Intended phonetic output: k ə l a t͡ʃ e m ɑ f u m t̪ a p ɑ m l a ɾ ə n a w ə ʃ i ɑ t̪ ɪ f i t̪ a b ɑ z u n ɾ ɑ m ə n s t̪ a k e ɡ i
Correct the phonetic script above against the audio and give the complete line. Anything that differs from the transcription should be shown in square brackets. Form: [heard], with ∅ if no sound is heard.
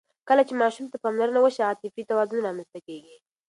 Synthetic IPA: k ə l a t͡ʃ e m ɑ [ʃ] u m t̪ a p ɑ m l a ɾ ə n a w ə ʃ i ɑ t̪ ɪ f i t̪ a [w] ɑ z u n ɾ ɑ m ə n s t̪ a k e ɡ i